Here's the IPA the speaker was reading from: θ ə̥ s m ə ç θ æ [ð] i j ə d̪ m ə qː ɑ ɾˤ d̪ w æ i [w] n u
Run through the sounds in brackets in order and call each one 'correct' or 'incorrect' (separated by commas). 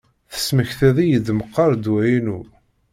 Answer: correct, incorrect